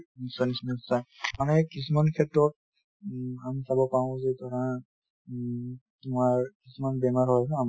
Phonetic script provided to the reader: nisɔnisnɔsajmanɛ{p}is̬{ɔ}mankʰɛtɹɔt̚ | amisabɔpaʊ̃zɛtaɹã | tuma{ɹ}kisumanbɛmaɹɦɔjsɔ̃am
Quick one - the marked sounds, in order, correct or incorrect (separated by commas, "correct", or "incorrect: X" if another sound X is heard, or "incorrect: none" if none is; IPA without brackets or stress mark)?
incorrect: k, incorrect: u, correct